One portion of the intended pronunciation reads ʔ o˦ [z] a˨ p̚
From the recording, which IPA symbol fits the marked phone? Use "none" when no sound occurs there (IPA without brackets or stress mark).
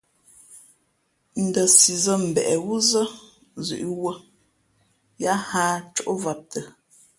v